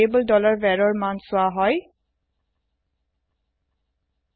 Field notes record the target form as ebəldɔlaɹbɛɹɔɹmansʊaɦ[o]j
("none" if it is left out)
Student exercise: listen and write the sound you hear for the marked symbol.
ɔ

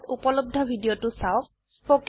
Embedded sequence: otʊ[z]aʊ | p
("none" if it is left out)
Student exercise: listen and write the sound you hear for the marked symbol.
s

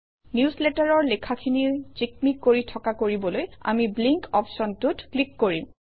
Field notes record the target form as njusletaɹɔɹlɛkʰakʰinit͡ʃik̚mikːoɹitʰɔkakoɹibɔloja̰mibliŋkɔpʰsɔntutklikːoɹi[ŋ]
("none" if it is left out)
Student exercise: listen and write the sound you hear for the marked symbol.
m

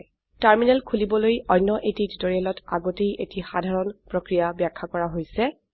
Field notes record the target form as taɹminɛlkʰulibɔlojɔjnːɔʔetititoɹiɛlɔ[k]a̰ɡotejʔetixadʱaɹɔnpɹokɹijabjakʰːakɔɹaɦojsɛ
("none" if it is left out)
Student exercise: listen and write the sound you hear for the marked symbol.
t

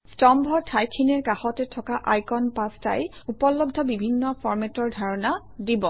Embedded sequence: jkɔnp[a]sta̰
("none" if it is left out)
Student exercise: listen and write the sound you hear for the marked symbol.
a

